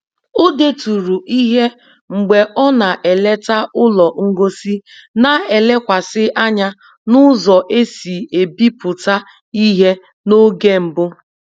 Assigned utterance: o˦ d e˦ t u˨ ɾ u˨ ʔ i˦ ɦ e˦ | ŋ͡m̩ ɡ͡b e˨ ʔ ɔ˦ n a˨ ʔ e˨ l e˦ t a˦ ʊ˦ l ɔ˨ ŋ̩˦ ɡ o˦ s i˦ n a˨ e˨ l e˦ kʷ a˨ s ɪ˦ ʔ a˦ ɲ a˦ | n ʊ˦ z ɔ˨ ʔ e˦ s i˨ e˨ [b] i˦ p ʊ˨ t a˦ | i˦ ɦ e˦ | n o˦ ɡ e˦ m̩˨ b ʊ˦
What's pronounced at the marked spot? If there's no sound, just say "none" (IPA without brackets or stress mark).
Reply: b